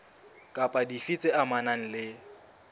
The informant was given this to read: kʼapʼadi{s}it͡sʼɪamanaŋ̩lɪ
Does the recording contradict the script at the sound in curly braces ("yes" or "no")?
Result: yes